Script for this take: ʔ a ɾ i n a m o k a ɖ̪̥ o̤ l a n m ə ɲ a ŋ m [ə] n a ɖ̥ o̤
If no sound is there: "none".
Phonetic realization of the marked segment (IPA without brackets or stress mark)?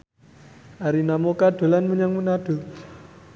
ə